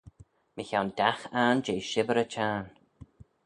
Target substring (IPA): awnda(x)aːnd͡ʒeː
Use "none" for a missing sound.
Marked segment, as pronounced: x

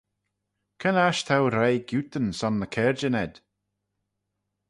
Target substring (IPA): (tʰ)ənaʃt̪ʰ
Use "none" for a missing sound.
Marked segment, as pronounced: kʰ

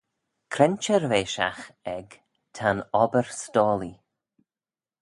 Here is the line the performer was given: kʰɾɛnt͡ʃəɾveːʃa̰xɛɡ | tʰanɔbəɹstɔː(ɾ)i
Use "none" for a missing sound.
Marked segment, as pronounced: l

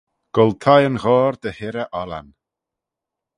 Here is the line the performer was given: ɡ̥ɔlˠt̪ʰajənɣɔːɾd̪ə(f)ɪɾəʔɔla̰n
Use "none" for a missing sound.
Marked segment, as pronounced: h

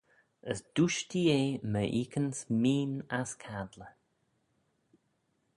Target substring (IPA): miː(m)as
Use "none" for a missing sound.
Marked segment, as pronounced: n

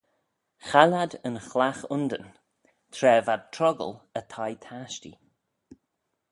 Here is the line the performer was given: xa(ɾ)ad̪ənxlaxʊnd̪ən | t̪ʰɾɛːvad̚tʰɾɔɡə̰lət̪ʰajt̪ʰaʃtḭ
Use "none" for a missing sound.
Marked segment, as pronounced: l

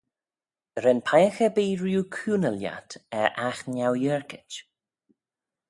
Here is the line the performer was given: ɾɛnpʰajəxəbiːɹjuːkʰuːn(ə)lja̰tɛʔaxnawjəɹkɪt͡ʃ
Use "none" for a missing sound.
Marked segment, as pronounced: ə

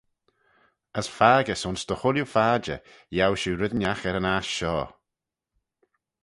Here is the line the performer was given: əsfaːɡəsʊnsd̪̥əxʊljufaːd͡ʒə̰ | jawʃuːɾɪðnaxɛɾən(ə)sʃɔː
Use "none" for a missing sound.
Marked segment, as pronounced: a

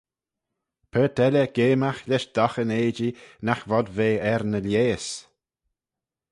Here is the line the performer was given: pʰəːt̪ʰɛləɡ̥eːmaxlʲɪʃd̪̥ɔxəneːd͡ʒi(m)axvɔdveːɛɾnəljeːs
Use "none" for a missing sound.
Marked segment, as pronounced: n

